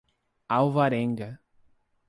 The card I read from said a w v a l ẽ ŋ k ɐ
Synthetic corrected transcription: a w v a ɾ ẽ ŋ ɡ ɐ